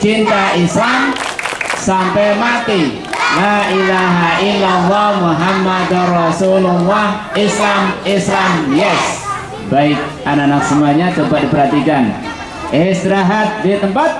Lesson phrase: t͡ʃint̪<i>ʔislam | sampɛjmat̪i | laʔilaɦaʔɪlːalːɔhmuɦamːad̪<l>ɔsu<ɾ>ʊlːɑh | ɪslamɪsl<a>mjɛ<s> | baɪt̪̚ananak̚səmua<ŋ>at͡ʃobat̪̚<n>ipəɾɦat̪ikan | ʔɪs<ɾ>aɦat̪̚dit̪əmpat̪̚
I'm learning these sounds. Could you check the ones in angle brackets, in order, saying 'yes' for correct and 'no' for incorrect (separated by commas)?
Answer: no, no, no, yes, yes, no, no, yes